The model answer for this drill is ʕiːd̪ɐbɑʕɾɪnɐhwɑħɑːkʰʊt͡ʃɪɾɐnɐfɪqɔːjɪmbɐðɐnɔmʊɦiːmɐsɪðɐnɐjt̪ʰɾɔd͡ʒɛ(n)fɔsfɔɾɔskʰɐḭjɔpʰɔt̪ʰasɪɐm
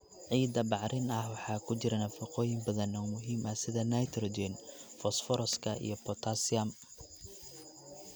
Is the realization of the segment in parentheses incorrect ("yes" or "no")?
no